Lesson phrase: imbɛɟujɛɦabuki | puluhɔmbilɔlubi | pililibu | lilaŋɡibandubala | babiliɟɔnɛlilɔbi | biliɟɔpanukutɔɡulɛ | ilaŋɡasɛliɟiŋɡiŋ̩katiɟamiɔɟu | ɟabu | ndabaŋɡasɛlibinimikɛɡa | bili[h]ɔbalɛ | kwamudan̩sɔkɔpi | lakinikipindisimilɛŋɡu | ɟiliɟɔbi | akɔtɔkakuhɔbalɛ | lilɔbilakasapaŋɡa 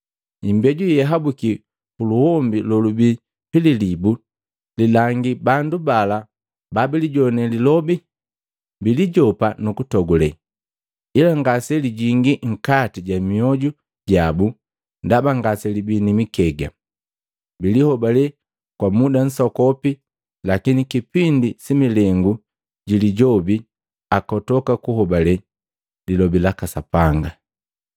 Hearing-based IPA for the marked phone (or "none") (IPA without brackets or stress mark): h